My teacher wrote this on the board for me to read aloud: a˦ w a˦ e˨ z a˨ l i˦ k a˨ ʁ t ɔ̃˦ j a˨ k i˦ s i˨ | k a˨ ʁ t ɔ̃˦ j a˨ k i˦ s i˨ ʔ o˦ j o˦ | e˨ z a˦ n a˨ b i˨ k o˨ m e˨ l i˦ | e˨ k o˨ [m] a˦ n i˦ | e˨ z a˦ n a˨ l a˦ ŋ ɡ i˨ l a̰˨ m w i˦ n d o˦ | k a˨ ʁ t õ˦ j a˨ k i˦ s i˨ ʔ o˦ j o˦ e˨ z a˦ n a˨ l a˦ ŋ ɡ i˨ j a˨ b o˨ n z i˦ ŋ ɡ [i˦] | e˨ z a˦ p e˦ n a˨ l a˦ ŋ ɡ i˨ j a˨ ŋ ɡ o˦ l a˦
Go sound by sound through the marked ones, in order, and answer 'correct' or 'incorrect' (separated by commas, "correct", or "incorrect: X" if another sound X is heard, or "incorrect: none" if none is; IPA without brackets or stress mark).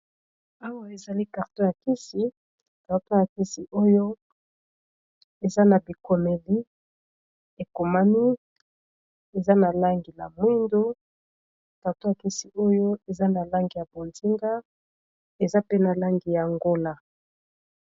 correct, incorrect: a˦